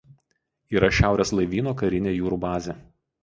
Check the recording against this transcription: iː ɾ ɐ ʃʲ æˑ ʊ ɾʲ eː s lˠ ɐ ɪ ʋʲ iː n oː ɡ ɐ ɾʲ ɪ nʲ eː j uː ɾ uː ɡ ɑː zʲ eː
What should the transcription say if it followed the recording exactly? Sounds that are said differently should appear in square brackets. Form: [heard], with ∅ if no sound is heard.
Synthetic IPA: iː ɾ ɐ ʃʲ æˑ ʊ ɾʲ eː s lˠ ɐ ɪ ʋʲ iː n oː [k] ɐ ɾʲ ɪ nʲ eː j uː ɾ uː [b] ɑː zʲ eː